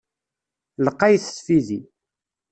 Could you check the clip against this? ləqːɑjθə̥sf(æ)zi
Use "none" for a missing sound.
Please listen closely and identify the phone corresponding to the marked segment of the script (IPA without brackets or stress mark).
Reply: i